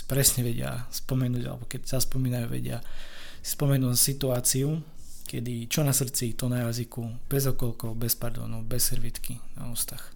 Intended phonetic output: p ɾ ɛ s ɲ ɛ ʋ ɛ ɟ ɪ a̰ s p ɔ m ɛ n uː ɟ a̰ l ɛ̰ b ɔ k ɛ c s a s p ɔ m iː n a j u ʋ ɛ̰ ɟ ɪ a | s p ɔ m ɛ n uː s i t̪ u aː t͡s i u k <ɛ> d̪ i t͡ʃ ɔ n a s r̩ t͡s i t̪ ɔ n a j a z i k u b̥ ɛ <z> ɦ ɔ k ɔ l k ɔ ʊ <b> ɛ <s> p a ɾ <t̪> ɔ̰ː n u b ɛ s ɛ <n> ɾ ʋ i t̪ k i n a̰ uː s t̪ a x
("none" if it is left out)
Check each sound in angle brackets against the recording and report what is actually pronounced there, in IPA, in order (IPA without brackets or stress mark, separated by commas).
ɛ, z, b, s, d̪, none